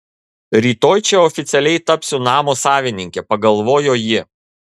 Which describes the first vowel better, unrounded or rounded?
unrounded